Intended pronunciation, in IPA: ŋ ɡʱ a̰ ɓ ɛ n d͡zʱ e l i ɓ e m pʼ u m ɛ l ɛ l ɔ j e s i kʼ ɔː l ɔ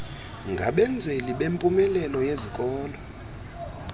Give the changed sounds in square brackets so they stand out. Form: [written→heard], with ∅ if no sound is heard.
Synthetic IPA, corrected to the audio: ŋ ɡʱ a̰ ɓ ɛ n d͡zʱ e l i ɓ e m pʼ u m ɛ l ɛ l ɔ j e [s→z] i kʼ ɔː l ɔ